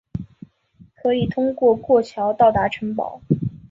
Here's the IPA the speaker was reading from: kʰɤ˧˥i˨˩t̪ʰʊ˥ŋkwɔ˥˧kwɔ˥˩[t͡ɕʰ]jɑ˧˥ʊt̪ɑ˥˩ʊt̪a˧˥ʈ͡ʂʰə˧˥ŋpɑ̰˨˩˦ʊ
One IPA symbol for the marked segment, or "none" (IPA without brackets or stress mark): t͡ɕʰ